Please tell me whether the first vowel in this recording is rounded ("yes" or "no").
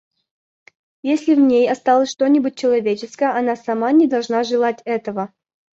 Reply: no